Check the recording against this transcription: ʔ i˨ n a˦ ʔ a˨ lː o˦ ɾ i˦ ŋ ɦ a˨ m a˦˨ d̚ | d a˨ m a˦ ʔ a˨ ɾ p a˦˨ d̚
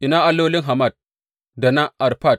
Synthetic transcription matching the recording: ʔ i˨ n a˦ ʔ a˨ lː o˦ l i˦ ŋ ɦ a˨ m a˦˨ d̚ | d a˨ n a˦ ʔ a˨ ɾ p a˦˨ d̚